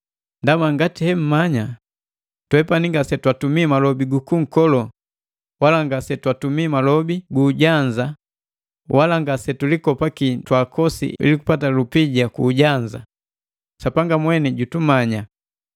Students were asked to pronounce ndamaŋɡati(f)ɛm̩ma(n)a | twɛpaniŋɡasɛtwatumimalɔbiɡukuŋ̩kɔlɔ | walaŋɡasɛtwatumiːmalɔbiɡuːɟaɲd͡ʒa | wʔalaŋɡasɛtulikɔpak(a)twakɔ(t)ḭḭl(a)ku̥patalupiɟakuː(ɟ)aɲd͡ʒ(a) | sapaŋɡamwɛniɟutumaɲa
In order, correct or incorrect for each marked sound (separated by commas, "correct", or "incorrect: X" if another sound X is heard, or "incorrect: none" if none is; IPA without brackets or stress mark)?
incorrect: h, incorrect: ɲ, incorrect: i, incorrect: s, incorrect: i, correct, correct